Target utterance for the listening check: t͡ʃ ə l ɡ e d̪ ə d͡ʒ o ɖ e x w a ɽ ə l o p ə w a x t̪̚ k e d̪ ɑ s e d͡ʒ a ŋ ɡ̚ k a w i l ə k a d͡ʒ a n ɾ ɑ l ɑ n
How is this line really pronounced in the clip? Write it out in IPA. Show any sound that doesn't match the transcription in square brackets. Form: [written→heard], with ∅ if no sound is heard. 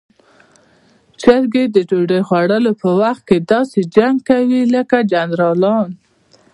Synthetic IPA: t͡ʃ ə [l→ɾ] ɡ e d̪ ə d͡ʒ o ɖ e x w a ɽ ə l o p ə w a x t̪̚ k e d̪ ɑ s e d͡ʒ a ŋ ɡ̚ k a w i l ə k a d͡ʒ a n ɾ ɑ l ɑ n